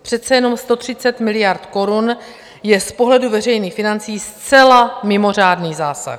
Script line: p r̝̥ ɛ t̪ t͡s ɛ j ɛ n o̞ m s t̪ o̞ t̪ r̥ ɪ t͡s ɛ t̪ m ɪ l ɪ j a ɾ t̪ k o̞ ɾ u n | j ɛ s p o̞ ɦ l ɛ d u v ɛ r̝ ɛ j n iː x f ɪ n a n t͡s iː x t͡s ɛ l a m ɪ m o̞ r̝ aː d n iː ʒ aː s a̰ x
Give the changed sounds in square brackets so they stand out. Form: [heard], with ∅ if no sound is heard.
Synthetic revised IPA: p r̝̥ ɛ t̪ t͡s ɛ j ɛ n o̞ m s t̪ o̞ t̪ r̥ ɪ t͡s ɛ t̪ m ɪ l ɪ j a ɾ t̪ k o̞ ɾ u n | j ɛ s p o̞ ɦ l ɛ d u v ɛ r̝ ɛ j n iː x f ɪ n a n t͡s iː [s] t͡s ɛ l a m ɪ m o̞ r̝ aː d n iː [z] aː s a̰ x